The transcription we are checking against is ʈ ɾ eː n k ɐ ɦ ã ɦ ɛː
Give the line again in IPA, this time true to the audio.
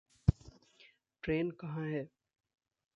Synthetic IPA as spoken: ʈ ɾ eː n k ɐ ɦ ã ɦ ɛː

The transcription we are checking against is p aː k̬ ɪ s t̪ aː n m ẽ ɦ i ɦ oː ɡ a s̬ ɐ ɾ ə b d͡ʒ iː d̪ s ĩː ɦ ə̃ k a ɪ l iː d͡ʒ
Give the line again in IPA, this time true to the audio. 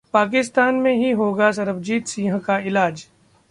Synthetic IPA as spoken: p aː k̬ ɪ s t̪ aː n m ẽ ɦ i ɦ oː ɡ a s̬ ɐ ɾ ə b d͡ʒ iː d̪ s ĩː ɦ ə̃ k a ɪ l aː d͡ʒ

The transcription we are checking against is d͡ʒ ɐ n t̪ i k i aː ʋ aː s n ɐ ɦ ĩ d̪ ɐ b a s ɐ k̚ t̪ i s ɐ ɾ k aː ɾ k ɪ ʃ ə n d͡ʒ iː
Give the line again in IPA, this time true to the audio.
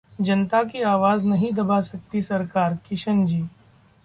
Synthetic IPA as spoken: d͡ʒ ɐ n t̪ a k i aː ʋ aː z n ɐ ɦ ĩ d̪ ɐ b a s ɐ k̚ t̪ i s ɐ ɾ k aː ɾ k ɪ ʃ ə n d͡ʒ iː

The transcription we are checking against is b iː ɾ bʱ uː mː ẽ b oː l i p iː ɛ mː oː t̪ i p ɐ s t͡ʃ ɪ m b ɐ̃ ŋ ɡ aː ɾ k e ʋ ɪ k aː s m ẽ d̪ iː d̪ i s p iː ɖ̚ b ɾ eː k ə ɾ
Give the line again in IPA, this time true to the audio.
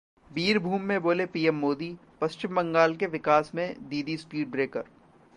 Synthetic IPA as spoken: b iː ɾ bʱ uː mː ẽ b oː l e p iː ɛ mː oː d̪ i p ɐ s t͡ʃ ɪ m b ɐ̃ ŋ ɡ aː l k e ʋ ɪ k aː s m ẽ d̪ iː d̪ i s p iː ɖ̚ b ɾ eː k ə ɾ

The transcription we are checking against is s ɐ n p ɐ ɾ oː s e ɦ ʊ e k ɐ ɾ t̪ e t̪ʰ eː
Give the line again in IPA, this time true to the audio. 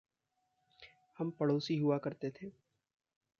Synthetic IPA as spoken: h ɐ m p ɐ ɽ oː s i ɦ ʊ a k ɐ ɾ t̪ e t̪ʰ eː

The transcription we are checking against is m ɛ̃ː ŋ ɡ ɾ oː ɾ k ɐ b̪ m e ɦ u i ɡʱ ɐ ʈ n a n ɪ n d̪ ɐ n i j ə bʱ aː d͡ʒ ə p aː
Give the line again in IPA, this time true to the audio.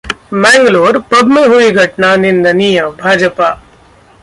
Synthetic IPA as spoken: m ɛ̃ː ŋ ɡ l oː ɾ p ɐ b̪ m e ɦ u i ɡʱ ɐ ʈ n a n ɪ n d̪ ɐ n i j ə bʱ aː d͡ʒ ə p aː

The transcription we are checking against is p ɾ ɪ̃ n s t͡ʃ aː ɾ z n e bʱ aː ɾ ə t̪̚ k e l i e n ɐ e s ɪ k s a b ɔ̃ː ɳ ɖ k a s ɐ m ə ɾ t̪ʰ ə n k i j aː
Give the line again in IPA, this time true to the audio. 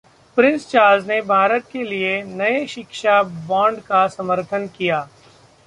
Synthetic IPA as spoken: p ɾ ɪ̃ n s t͡ʃ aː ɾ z n e bʱ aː ɾ ə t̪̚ k e l i e n ɐ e ʃ ɪ k ʃ a b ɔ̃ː ɳ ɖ k a s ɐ m ə ɾ t̪ʰ ə n k i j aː

